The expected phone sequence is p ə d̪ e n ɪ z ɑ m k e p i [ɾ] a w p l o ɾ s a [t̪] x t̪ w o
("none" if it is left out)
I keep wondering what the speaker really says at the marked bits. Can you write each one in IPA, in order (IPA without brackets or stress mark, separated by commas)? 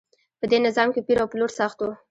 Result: ɾ, none